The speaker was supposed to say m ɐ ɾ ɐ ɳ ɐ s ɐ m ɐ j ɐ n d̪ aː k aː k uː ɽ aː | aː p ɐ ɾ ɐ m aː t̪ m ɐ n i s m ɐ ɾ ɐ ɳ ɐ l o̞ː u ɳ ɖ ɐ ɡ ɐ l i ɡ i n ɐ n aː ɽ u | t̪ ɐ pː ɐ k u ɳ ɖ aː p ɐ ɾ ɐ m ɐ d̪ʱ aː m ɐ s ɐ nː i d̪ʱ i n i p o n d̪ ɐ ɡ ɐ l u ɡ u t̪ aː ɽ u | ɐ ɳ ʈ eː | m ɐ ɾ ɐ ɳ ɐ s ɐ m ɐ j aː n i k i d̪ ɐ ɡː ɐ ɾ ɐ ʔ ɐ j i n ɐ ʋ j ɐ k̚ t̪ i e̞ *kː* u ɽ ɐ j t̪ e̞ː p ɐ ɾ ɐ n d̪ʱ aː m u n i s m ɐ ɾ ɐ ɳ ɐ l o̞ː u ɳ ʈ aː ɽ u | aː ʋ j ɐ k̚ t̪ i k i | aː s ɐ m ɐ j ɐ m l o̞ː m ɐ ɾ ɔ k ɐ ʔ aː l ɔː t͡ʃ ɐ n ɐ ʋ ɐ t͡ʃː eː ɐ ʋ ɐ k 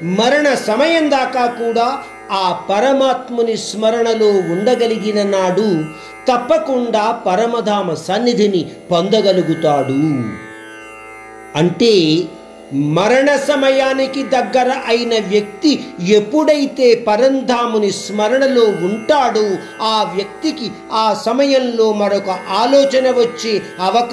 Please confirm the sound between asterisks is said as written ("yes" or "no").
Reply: no